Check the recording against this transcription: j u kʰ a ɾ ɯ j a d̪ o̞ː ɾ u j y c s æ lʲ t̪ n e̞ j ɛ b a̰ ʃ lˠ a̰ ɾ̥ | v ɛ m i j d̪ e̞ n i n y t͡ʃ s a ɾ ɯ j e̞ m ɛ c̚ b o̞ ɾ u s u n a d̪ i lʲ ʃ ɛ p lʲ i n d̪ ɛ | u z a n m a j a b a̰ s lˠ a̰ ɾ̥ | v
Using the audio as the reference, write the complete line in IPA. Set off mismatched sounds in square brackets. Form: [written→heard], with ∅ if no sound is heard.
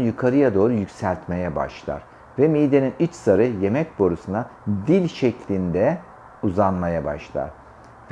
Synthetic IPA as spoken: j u kʰ a ɾ ɯ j a d̪ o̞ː ɾ u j y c s æ lʲ t̪ [n→m] e̞ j ɛ b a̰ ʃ lˠ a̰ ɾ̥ | v ɛ m i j d̪ e̞ n i n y t͡ʃ s a ɾ ɯ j e̞ m ɛ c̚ b o̞ ɾ u s u n a d̪ i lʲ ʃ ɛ [p→c] lʲ i n d̪ ɛ | u z a n m a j a b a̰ [s→ʃ] lˠ a̰ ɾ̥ | v